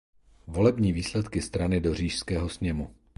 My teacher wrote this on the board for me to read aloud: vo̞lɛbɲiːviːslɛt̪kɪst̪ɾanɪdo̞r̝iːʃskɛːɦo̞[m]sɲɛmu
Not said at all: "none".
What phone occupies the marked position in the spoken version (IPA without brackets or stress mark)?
none